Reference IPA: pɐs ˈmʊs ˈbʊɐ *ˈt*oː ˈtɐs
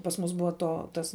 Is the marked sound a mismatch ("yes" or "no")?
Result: no